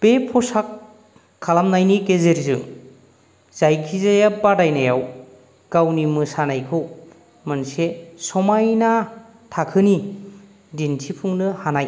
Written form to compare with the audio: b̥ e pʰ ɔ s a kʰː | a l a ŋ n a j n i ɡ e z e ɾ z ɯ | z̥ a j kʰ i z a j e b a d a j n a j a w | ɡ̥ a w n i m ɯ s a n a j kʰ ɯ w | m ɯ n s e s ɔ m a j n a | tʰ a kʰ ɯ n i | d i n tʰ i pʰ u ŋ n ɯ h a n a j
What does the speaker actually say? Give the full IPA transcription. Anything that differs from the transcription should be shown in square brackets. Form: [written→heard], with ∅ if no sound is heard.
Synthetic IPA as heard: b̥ e pʰ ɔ s a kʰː | a l a [ŋ→m] n a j n i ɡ e z e ɾ z ɯ | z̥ a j kʰ i z a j [e→a] b a d a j n a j a w | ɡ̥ a w n i m ɯ s a n a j kʰ ɯ w | m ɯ n s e s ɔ m a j n a | tʰ a kʰ ɯ n i | d i n tʰ i pʰ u ŋ n ɯ h a n a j